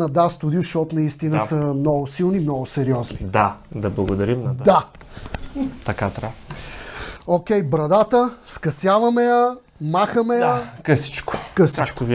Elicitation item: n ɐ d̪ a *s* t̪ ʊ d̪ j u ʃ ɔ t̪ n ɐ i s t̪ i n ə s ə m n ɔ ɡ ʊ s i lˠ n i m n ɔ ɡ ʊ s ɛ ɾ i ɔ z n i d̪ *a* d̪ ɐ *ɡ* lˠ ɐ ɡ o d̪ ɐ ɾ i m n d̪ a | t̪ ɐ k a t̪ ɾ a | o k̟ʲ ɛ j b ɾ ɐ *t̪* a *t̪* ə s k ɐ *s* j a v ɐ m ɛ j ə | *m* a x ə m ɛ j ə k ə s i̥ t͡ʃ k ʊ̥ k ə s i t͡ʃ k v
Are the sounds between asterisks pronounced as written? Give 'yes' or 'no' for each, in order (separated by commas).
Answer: yes, yes, no, no, yes, yes, yes